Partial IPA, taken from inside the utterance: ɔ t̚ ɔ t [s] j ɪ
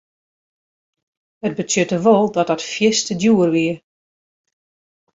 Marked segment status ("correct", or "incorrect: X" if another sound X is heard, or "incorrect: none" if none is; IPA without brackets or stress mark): incorrect: f